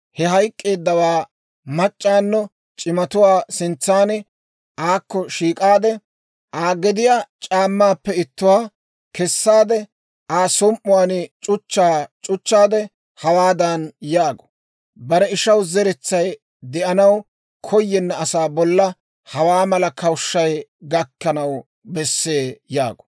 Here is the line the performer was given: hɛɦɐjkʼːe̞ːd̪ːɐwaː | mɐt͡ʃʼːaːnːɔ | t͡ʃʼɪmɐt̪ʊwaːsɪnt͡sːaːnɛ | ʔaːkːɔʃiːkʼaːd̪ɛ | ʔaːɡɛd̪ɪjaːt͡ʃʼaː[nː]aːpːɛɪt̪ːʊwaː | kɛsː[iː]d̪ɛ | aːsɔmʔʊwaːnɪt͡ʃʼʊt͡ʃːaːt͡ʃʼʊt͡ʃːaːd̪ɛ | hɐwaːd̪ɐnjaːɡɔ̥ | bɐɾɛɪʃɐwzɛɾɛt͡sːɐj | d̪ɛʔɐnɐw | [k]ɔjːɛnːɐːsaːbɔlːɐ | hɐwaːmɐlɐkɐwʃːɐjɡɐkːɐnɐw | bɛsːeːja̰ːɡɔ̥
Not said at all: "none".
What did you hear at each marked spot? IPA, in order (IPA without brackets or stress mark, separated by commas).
mː, aː, kʰ